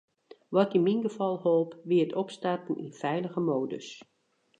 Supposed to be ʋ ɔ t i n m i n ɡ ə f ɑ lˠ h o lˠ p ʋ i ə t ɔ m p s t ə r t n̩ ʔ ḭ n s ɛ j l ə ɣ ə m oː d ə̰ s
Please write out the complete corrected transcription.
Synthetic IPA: ʋ ɔ t i n m i n ɡ ə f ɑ lˠ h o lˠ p ʋ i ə t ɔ p s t a r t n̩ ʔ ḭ n f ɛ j l ə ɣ ə m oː d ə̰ s